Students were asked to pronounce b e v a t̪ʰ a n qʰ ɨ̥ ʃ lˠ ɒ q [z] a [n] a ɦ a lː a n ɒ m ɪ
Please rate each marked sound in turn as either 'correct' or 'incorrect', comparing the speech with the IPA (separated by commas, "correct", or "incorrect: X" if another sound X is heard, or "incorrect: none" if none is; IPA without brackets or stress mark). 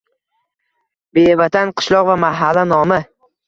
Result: incorrect: v, incorrect: m